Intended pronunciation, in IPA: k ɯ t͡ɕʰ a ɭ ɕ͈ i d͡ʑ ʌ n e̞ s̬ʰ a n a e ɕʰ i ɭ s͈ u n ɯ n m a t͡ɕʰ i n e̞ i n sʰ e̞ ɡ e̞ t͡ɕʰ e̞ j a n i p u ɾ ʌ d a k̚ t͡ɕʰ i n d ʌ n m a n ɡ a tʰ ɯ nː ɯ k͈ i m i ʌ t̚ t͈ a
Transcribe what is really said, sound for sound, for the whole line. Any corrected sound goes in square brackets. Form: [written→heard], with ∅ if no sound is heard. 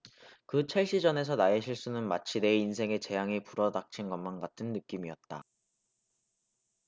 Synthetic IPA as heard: k ɯ t͡ɕʰ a ɭ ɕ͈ i d͡ʑ ʌ n e̞ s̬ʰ [a→ʌ] n a e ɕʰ i ɭ s͈ u n ɯ n m a t͡ɕʰ i n e̞ i n sʰ e̞ [ɡ→ŋ] e̞ [t͡ɕʰ→t͡ɕ] e̞ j a [n→ŋ] i p u ɾ ʌ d a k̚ t͡ɕʰ i n [d→ɡ] ʌ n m a n ɡ a tʰ ɯ nː ɯ k͈ i m i ʌ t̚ t͈ a